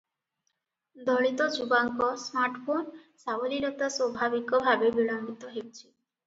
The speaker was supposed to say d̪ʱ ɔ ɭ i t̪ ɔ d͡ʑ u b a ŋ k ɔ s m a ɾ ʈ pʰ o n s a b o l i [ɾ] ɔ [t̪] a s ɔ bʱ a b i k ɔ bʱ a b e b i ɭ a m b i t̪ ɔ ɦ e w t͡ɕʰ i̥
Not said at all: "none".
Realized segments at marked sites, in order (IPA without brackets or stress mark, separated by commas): ɾ, t̪